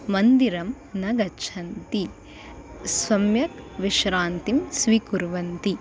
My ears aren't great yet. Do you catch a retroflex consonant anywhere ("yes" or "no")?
no